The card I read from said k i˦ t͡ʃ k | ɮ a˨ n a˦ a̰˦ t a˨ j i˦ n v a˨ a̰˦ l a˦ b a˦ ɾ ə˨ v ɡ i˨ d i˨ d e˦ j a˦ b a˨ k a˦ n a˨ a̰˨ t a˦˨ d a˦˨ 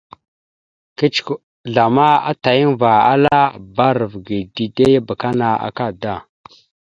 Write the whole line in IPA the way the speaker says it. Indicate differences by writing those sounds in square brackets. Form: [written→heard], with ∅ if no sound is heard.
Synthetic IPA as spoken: k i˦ t͡ʃ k | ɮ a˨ [n→m] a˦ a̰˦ t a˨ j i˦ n v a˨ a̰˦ l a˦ b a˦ ɾ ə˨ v ɡ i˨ d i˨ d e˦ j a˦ b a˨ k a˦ n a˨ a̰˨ [t→k] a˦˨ d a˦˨